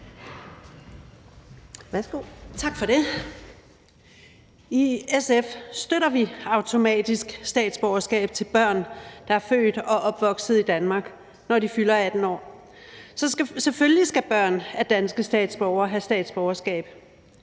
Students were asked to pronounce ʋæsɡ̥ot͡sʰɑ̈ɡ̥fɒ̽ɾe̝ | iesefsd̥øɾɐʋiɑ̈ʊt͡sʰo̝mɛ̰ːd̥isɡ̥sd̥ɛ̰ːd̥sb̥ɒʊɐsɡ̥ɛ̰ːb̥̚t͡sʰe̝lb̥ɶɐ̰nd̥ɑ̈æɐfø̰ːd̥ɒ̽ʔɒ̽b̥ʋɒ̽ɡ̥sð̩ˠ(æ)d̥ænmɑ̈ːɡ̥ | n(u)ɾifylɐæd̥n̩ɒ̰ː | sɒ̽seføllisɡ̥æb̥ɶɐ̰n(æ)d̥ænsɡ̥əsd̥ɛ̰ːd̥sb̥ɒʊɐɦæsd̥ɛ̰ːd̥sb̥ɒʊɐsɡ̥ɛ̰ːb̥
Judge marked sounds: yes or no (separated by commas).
no, no, yes